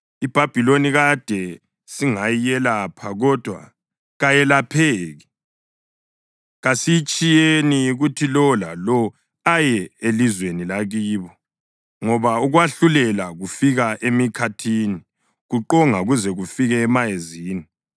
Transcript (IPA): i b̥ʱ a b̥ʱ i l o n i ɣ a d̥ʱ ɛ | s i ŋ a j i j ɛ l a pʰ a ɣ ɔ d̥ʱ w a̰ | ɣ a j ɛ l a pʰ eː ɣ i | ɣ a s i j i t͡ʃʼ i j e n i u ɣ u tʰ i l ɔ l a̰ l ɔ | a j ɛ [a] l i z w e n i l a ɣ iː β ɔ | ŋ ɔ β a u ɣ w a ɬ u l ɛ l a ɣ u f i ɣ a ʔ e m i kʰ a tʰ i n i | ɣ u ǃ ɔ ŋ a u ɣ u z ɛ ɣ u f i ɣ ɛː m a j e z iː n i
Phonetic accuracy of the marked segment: incorrect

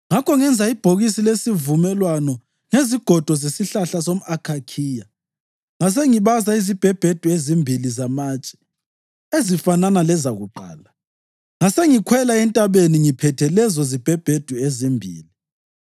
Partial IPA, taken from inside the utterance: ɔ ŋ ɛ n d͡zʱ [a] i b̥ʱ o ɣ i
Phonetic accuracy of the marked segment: correct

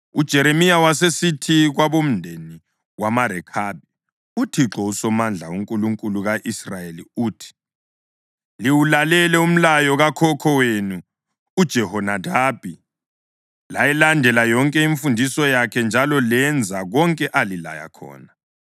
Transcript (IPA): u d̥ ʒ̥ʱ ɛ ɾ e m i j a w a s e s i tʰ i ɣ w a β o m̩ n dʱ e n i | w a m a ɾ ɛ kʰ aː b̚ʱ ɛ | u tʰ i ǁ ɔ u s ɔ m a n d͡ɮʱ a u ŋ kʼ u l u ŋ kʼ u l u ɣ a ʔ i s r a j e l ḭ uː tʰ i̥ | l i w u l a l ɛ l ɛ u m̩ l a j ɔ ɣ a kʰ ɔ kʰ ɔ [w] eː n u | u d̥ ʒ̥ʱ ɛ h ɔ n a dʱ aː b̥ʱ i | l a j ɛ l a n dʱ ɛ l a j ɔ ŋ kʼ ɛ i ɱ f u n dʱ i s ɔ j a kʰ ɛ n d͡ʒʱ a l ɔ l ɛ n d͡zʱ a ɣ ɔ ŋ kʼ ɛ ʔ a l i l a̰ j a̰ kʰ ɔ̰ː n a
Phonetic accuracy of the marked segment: correct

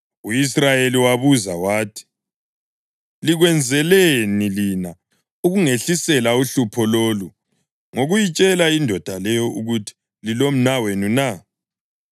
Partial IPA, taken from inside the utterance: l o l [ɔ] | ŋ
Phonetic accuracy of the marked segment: incorrect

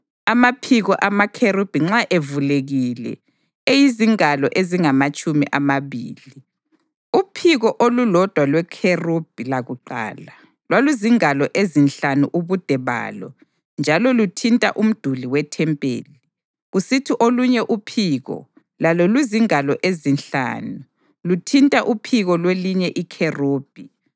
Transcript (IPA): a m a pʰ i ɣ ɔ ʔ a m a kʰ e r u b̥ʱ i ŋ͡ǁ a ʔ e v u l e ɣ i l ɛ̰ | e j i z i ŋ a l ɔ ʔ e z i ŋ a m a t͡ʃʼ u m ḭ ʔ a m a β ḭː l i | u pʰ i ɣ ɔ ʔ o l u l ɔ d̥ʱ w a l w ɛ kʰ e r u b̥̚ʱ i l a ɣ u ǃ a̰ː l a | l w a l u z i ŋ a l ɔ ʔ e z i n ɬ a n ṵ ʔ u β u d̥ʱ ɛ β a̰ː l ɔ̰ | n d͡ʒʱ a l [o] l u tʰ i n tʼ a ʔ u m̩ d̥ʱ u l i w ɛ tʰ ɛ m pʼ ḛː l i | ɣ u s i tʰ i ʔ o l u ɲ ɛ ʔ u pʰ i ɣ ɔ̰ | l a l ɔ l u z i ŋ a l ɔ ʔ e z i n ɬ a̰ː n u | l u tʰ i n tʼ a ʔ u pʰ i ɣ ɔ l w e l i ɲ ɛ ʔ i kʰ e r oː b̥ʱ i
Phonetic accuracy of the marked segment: incorrect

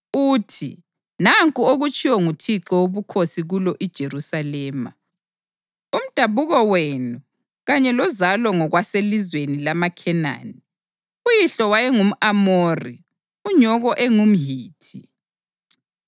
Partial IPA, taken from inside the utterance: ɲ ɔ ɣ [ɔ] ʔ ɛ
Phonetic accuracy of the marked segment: correct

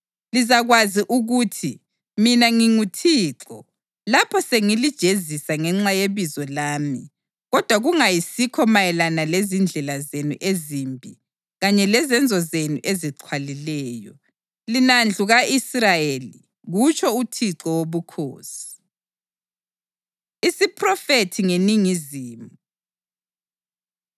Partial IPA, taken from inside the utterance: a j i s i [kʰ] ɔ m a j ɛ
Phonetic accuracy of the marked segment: correct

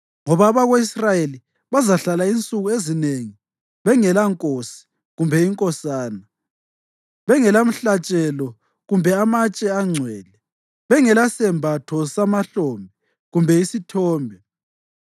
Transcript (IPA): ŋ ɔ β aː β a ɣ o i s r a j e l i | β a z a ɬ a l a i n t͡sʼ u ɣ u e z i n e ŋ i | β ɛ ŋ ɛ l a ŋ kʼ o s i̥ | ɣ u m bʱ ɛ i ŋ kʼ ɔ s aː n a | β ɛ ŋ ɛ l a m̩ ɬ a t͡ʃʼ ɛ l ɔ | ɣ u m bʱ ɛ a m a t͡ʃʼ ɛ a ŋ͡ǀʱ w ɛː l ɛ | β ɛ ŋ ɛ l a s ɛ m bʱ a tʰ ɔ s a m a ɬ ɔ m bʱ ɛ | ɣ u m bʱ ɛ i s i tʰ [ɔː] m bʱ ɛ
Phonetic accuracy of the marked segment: correct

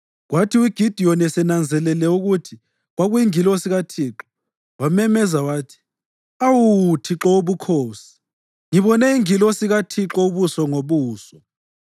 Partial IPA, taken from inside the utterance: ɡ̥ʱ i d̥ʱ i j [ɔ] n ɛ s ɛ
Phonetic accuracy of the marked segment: correct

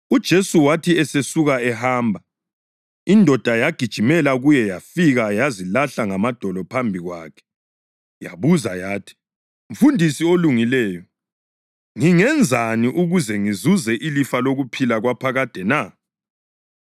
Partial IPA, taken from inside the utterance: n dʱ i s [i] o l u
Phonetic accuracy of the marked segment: correct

